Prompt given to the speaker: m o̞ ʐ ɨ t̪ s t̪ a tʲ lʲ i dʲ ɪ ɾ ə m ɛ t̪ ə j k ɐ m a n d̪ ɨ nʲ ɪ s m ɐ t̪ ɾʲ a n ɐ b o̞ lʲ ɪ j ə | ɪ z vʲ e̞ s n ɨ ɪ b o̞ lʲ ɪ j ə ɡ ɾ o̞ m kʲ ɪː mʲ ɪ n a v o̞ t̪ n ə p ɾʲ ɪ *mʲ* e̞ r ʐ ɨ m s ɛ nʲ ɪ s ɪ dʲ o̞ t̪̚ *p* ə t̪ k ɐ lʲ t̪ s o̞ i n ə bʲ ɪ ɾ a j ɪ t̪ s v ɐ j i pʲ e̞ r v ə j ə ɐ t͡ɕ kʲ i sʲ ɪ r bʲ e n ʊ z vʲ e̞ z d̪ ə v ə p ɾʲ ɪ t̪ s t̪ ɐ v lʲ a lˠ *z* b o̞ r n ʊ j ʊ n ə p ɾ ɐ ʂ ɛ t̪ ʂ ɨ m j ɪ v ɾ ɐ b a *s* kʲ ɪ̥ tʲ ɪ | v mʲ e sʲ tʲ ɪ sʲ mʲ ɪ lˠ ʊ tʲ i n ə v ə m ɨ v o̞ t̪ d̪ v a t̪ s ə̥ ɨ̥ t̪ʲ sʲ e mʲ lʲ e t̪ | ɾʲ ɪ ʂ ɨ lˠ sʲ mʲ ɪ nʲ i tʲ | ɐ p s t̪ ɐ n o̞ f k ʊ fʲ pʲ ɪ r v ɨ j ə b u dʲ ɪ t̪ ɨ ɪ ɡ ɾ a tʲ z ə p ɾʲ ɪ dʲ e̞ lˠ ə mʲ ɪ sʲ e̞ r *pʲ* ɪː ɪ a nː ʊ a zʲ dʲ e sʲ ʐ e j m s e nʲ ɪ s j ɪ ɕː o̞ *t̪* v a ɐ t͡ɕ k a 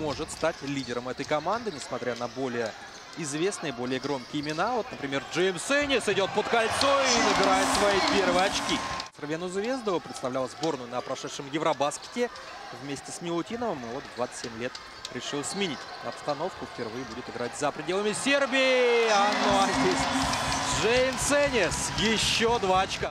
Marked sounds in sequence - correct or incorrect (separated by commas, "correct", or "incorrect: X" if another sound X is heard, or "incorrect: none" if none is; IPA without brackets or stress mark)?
correct, correct, correct, correct, incorrect: bʲ, incorrect: d̪